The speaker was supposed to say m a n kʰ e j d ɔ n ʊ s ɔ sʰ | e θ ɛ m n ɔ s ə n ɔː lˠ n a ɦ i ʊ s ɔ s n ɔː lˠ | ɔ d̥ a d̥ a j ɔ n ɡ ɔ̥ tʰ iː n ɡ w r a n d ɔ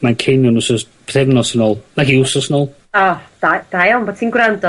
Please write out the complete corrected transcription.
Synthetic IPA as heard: m a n kʰ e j n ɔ n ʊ s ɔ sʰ | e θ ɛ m n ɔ s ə n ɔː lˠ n a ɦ i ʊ s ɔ s n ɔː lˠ | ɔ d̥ a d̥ a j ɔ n b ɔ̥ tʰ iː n ɡ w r a n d ɔ

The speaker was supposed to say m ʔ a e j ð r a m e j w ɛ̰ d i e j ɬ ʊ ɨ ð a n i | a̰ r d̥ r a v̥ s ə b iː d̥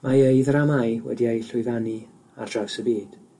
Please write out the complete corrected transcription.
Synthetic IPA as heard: m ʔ a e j ð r a m a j w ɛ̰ d i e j ɬ ʊ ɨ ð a n i | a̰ r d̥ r a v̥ s ə b iː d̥

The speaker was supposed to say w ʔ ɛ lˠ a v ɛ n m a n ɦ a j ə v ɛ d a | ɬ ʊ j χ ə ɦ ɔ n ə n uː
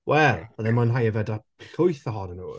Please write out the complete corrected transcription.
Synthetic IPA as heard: w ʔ ɛ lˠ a ð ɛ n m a n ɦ a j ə v ɛ d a | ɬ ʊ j θ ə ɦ ɔ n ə n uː

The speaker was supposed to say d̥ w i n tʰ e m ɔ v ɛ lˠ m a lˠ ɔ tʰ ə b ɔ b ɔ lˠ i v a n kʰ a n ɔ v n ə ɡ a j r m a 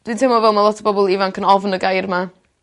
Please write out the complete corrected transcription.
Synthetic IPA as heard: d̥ w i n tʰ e m ɔ v ɛ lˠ m a lˠ ɔ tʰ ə b ɔ b ɔ lˠ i v a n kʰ ə n ɔ v n ə ɡ a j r m a

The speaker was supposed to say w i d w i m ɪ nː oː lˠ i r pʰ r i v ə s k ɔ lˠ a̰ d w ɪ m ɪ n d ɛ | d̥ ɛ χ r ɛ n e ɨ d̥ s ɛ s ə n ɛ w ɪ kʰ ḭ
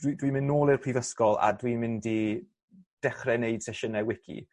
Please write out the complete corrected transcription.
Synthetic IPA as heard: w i d w i m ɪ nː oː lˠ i r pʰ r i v ə s k ɔ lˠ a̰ d w i m ɪ n d i | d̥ ɛ χ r ɛ n e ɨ d̥ s ɛ ʃ ə n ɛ w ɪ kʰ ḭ

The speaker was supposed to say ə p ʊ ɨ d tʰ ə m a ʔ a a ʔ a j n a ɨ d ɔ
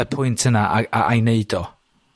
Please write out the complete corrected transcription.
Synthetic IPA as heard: ə pʰ ʊ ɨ n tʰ ə n a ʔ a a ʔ a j n e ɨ d ɔ

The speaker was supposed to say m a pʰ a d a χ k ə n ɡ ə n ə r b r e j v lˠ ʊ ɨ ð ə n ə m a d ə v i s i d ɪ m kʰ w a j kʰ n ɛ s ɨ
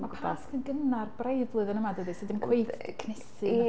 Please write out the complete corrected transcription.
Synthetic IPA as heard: m a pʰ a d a s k ə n ɡ ə n a r b r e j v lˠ ʊ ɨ ð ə n ə m a d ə ð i s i d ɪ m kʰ w e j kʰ n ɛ s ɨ

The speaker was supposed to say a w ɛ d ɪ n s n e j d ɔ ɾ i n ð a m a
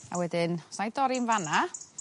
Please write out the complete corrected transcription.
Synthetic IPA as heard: a w ɛ d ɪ n s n a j d ɔ ɾ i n v a n a

